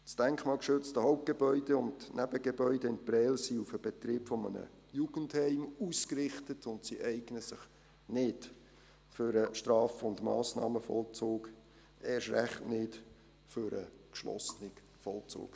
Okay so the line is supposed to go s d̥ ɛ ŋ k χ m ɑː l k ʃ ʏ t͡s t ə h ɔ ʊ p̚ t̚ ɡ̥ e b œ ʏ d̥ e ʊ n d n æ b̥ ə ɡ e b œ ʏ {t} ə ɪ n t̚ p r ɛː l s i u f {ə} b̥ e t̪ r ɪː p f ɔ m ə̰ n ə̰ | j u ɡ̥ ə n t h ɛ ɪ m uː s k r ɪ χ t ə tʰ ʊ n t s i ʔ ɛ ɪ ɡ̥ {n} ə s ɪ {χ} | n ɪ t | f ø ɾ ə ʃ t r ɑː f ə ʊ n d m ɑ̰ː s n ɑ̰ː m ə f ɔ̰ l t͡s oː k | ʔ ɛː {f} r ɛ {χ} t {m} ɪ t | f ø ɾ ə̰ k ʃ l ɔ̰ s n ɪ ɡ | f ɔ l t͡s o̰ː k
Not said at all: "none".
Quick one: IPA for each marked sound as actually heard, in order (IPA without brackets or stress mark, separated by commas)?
d, ə, n, χ, ʃ, χ, n